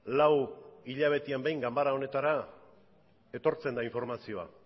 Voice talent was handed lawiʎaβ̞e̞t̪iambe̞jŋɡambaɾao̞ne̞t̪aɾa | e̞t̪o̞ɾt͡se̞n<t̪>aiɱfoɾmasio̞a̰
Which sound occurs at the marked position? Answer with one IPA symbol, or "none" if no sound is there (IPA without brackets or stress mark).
d̪